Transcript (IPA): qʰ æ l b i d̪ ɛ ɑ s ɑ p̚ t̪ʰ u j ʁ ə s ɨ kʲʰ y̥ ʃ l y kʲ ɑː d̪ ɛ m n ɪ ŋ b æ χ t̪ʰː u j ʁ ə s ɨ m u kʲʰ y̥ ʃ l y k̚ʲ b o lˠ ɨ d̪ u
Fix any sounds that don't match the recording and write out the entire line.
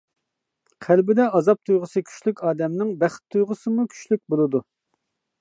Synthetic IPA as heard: qʰ æ l b ɪ d̪ ɛ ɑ z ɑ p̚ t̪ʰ u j ʁ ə s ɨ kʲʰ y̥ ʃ l y kʲ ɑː d̪ ɛ m n ɪ ŋ b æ χ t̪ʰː u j ʁ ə s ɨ m u kʲʰ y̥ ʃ l y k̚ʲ b o lˠ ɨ d̪ u